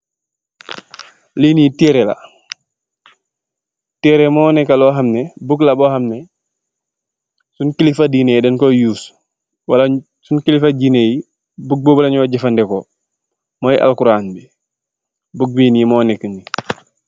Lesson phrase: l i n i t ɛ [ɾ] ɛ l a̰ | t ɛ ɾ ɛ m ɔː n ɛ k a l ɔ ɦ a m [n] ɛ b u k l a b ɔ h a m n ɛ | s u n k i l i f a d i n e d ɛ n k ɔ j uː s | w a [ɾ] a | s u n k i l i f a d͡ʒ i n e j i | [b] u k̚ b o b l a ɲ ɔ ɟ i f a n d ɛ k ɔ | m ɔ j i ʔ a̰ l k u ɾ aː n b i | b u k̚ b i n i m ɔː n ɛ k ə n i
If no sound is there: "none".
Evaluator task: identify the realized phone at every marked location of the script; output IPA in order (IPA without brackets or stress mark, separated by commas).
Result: ɾ, n, l, b